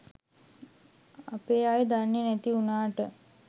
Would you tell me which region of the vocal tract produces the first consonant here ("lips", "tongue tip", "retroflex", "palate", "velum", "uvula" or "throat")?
lips